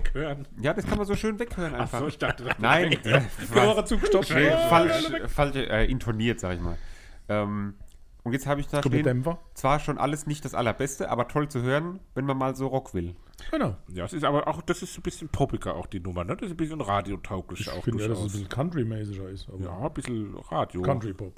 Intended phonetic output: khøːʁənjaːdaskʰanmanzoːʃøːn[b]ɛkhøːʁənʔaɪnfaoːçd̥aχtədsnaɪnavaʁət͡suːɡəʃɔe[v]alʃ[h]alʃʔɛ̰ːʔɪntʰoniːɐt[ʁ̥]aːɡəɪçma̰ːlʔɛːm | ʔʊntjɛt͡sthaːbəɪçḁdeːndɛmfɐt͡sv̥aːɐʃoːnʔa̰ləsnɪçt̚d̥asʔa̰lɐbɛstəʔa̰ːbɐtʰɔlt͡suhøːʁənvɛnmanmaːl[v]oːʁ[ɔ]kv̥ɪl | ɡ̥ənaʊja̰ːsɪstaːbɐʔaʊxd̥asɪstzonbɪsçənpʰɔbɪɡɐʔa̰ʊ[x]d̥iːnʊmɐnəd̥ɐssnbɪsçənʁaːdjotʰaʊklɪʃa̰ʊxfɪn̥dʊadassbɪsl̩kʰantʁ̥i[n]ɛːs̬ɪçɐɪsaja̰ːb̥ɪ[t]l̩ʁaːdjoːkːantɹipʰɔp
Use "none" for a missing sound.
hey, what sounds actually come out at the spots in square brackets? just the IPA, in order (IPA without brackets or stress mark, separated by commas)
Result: v, f, f, z̥, z, ɔ, x, m, s